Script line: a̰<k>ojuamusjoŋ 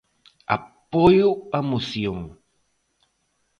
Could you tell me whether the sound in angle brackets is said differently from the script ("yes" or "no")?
yes